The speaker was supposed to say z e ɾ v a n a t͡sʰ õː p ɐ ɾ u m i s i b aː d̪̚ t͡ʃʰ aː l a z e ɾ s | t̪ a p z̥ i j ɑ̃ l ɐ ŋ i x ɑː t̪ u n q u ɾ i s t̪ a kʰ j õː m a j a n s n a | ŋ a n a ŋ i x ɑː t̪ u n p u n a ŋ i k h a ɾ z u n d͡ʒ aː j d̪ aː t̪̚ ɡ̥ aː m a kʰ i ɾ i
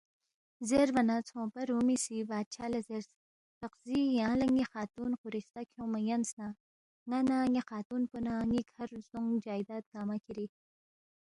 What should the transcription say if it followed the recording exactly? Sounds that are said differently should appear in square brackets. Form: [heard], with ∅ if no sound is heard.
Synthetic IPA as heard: z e ɾ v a n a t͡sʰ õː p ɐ ɾ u m i s i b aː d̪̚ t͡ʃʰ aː l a z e ɾ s | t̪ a [q] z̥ i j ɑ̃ l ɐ ŋ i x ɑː t̪ u n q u ɾ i s t̪ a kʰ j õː m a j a n s n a | ŋ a n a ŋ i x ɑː t̪ u n p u n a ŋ i k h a ɾ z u [ŋ] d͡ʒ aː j d̪ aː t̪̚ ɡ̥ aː m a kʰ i ɾ i